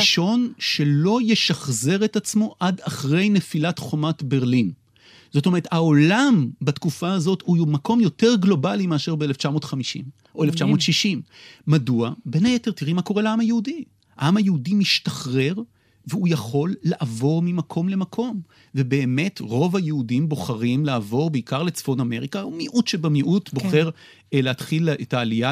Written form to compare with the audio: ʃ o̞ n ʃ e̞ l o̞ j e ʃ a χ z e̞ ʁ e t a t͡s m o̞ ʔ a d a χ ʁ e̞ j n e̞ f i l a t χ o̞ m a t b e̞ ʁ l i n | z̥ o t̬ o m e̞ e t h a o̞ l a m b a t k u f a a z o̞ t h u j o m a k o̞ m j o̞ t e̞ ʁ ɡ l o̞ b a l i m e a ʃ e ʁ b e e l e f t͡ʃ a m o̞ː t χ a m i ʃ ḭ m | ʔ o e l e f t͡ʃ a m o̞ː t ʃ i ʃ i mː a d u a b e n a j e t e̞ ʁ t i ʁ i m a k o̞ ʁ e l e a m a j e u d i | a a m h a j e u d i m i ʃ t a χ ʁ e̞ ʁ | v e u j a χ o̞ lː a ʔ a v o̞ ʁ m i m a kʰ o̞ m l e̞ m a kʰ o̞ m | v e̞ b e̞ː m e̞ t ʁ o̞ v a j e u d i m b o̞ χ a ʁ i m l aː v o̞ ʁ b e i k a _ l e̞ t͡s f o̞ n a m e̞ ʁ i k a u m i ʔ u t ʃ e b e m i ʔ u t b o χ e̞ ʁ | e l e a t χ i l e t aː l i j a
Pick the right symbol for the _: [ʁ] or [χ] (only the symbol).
ʁ